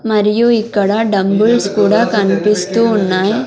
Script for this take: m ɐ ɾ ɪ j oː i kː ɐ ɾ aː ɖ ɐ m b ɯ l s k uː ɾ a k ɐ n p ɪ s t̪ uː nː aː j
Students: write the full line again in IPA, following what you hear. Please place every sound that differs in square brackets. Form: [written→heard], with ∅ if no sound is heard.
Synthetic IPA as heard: m ɐ ɾ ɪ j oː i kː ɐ [ɾ→ɽ] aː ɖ ɐ m b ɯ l s k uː [ɾ→ɽ] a k ɐ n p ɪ s t̪ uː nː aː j

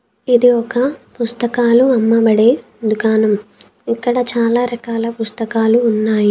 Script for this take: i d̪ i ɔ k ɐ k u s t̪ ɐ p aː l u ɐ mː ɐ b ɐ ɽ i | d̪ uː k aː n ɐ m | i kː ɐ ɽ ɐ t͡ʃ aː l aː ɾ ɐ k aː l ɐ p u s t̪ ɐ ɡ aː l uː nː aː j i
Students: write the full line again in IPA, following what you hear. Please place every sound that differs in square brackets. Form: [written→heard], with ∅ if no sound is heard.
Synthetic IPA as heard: i d̪ i ɔ k ɐ [k→p] u s t̪ ɐ [p→k] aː l u ɐ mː ɐ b ɐ ɽ [i→e] | d̪ [uː→u] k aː n ɐ m | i kː ɐ ɽ ɐ t͡ʃ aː l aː ɾ ɐ k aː l ɐ p u s t̪ ɐ [ɡ→k] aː l uː nː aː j i

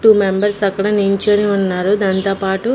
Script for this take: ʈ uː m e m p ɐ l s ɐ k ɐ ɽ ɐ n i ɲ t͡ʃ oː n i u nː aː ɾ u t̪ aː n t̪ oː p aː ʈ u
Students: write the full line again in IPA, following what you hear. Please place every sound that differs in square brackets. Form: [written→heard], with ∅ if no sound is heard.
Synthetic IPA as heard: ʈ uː m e m [p→b] ɐ [l→ɾ] s ɐ k ɐ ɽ ɐ n i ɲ t͡ʃ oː n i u nː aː ɾ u [t̪→d̪] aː n t̪ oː p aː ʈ u

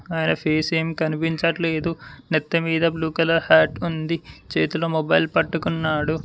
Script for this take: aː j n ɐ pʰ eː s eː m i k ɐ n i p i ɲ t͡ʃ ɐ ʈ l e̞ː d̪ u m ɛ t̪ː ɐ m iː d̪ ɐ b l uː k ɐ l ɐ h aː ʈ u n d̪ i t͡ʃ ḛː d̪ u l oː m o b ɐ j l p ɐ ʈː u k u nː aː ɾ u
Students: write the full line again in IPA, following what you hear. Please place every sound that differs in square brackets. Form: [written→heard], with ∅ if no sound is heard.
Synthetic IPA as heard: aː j n ɐ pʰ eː s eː m i k ɐ n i p i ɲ t͡ʃ ɐ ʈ l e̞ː d̪ u [m→n] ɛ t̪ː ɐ m iː d̪ ɐ b l uː k ɐ l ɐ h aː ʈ u n d̪ i t͡ʃ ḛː [d̪→t̪] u l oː m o b ɐ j l p ɐ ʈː u k u nː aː [ɾ→ɽ] u

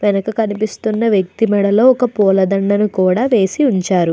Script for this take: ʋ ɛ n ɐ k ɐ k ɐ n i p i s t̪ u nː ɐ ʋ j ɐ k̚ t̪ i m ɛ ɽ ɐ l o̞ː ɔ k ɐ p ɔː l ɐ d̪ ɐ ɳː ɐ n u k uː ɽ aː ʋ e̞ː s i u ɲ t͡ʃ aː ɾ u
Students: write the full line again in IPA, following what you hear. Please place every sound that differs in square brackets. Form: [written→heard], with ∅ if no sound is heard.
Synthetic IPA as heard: ʋ ɛ n ɐ k ɐ k ɐ n i p i s t̪ u nː ɐ ʋ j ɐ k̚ t̪ i m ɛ ɽ ɐ l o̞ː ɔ k ɐ p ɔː l ɐ d̪ ɐ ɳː ɐ n u k uː ɽ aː ʋ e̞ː s i u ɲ t͡ʃ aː ɾ u

